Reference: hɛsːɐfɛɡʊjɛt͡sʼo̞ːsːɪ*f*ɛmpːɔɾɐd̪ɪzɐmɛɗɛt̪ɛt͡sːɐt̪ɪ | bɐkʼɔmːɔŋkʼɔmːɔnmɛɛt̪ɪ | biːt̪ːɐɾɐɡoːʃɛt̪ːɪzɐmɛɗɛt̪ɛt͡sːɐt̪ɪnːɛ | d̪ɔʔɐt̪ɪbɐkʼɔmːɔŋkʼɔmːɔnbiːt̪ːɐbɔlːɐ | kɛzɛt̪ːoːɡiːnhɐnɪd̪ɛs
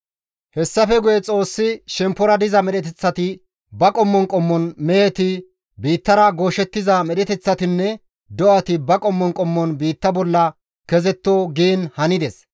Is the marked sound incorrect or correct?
incorrect